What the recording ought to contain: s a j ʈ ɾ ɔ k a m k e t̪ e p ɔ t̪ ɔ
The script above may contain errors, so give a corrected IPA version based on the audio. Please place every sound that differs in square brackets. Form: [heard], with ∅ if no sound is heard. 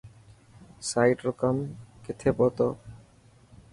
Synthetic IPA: s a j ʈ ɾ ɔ k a m k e [t̪ʰ] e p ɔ t̪ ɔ